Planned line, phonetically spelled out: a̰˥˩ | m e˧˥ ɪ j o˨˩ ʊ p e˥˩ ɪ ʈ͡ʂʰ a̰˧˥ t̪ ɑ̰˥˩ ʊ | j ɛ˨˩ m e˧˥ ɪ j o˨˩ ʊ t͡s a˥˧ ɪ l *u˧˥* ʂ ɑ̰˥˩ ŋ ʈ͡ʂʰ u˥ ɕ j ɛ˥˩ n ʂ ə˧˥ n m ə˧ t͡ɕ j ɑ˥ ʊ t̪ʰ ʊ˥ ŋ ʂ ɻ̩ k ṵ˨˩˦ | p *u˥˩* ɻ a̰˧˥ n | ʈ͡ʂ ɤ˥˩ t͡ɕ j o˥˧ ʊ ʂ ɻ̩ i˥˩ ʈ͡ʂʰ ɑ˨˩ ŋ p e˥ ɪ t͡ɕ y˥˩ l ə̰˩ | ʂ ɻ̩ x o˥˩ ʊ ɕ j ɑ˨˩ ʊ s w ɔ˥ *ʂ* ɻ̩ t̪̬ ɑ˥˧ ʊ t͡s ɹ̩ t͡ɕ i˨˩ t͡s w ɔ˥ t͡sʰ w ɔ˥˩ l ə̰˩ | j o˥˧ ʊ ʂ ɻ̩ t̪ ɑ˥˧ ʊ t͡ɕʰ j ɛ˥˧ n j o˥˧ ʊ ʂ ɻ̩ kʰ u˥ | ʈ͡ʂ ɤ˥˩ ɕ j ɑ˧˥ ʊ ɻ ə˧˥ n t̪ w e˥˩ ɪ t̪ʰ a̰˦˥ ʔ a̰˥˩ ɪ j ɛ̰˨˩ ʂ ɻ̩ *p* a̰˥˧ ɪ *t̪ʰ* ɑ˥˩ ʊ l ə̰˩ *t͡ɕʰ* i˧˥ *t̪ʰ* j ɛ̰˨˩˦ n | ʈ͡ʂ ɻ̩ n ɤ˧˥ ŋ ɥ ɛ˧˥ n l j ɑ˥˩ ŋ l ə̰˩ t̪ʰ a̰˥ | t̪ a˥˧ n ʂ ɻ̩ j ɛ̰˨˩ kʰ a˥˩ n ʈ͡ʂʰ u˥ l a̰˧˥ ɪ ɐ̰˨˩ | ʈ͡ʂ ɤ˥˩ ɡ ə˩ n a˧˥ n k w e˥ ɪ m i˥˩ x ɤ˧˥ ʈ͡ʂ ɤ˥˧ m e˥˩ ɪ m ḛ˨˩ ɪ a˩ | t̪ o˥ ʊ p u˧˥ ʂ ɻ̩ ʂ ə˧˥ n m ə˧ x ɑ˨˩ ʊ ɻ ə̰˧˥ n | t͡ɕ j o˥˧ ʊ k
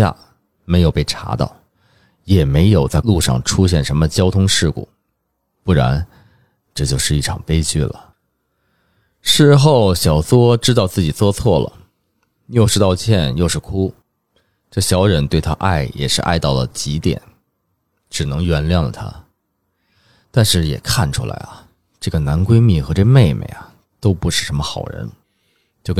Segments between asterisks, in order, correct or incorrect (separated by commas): incorrect, correct, incorrect, incorrect, incorrect, incorrect, incorrect